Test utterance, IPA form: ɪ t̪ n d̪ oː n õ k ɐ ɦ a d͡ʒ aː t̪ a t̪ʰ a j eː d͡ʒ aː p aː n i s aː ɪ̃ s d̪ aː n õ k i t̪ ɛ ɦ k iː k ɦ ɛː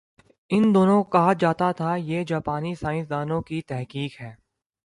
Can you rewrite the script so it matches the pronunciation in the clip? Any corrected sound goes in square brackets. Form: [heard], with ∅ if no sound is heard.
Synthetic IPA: ɪ [∅] n d̪ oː n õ k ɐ ɦ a d͡ʒ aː t̪ a t̪ʰ a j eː d͡ʒ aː p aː n i s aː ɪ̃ s d̪ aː n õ k i t̪ ɛ ɦ k iː k ɦ ɛː